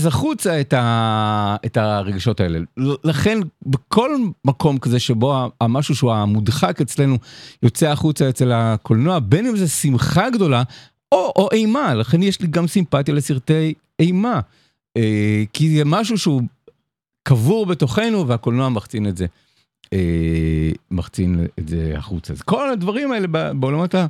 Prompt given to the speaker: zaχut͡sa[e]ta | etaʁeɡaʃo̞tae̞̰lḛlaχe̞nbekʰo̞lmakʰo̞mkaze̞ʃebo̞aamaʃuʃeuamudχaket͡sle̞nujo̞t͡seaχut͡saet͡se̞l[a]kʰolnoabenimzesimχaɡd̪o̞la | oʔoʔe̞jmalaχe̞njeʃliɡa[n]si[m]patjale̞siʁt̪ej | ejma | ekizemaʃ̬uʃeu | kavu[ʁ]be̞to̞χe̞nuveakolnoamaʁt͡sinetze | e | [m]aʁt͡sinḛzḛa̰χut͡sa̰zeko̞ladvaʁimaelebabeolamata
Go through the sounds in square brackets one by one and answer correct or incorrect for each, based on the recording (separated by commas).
correct, correct, incorrect, correct, correct, correct